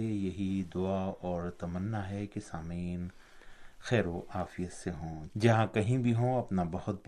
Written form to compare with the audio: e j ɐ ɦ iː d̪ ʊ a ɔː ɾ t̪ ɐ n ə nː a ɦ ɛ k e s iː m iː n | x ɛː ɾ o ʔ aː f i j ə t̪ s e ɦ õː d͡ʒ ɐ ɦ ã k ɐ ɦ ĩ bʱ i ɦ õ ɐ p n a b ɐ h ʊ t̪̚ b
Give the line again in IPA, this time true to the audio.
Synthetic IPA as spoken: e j ɐ ɦ i d̪ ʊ a ɔː ɾ t̪ ɐ m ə nː a ɦ ɛ k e s aː m iː n | x ɛː ɾ o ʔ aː f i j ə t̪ s e ɦ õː d͡ʒ ɐ ɦ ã k ɐ ɦ ĩ bʱ i ɦ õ ɐ p n a b ɐ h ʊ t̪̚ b